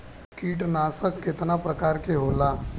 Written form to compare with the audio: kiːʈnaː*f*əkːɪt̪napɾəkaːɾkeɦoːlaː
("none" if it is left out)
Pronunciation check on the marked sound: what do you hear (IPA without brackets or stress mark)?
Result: s